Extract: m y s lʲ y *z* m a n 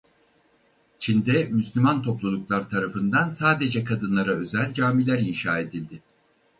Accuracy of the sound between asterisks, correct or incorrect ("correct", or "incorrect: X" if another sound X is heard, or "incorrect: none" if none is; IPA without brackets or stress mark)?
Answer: incorrect: none